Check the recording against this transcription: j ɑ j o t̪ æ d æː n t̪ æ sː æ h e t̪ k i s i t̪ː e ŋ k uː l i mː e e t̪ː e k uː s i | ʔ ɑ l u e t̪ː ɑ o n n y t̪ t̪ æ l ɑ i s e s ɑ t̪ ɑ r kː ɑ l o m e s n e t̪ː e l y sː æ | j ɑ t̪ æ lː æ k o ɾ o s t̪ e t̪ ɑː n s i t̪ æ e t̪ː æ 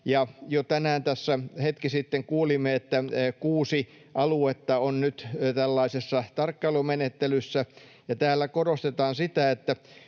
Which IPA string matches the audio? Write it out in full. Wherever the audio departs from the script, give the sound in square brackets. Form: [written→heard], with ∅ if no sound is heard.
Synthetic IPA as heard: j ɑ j o t̪ æ [d→n] æː n t̪ æ sː æ h e t̪ k i s i t̪ː e ŋ k uː l i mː e e t̪ː [e→æ] k uː s i | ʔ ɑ l u e t̪ː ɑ o n n y t̪ t̪ æ [l→lː] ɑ i s e [s→sː] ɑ t̪ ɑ r kː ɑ l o m e [s→∅] n e t̪ː e l y sː æ | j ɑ t̪ [æ→æː] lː æ k o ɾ o s t̪ e t̪ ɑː n s i t̪ æ e t̪ː æ

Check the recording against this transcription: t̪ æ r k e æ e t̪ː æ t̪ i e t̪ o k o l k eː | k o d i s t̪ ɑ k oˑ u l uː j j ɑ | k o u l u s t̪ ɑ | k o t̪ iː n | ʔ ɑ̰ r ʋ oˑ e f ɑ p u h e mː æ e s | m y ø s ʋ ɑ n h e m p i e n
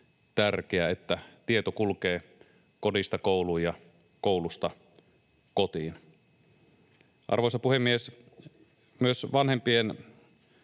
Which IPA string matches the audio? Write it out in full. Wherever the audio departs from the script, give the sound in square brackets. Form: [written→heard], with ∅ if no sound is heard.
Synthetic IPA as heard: t̪ æ r k e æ e t̪ː æ t̪ i e t̪ o k [o→u] l k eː | k o d i s t̪ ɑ k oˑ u l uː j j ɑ | k o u l u s t̪ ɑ | k o t̪ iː n | ʔ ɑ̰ r ʋ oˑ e [f→s] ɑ p u h e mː [æ→i] e s | m y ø s ʋ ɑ n h e m p i e n

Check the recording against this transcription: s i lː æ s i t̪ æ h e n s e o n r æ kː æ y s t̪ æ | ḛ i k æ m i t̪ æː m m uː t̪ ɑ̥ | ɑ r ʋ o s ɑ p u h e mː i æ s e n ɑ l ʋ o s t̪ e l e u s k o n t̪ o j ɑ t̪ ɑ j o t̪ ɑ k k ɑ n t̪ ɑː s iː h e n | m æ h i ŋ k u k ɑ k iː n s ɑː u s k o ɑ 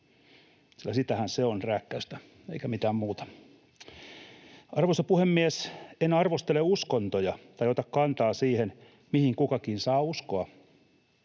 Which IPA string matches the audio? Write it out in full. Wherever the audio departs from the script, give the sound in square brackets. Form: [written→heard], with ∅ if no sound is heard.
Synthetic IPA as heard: s i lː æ s i t̪ æ h [e→æ] n s e o n r æ kː æ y s t̪ æ | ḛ i k æ m i t̪ æː m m uː t̪ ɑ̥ | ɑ r ʋ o s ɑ p u h e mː i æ s e n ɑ [l→r] ʋ o s t̪ e l e u s k o n t̪ o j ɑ t̪ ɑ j o t̪ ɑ k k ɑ n t̪ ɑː s iː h e n | m [æ→i] h i ŋ k u k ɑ k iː n s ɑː u s k o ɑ

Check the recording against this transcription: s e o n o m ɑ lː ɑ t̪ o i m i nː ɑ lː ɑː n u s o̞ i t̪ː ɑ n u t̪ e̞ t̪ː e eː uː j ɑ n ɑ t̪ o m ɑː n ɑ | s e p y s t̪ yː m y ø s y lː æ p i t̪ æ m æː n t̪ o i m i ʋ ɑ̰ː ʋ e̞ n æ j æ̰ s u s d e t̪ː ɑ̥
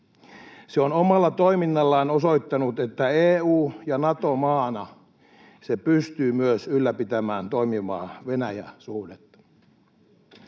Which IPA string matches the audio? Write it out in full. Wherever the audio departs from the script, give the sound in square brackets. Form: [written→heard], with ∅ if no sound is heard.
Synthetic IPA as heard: s e o n o m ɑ lː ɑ t̪ o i m i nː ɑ lː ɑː n [u→o] s o̞ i t̪ː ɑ n u t̪ e̞ t̪ː [e→æ] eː uː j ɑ n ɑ t̪ o m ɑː n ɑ | s e p y s t̪ yː m y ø s y lː æ p i t̪ æ m æː n t̪ o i m i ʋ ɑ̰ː ʋ e̞ n æ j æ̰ s u [s→h] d e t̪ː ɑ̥

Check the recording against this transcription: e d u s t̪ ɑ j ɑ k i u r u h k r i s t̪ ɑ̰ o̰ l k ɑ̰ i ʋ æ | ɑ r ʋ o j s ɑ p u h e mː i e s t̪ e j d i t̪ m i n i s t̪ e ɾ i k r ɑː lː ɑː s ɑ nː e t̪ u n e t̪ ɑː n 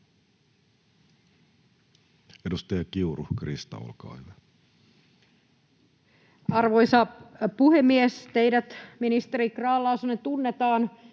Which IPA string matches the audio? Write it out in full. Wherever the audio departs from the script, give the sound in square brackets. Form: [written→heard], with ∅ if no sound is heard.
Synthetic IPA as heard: e d u s t̪ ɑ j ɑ k i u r u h k r i s t̪ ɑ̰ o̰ l k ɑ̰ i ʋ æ | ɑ r ʋ o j s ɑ p u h e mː i e s t̪ e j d [i→æ] t̪ m i n i s t̪ e ɾ i k r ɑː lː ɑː s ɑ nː e t̪ u [n→nː] e t̪ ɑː n

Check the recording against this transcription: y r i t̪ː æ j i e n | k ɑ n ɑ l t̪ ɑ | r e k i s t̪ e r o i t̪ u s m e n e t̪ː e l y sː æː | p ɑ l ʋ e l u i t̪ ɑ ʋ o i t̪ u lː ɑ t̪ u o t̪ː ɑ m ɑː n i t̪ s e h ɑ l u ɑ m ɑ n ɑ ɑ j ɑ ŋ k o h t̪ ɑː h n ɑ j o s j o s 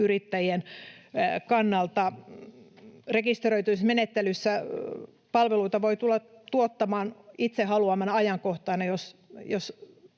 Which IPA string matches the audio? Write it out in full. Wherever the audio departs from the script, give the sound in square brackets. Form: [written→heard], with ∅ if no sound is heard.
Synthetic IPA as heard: y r i t̪ː æ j i e n | k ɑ [n→nː] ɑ l t̪ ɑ | r e k i s t̪ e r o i t̪ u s m e n e t̪ː e l y sː [æː→æ] | p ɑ l ʋ e l u i t̪ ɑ ʋ o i t̪ u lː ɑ t̪ u o t̪ː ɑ m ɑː n i t̪ s e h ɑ l u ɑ m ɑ n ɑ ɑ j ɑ ŋ k o h t̪ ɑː [h→∅] n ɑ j o s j o s

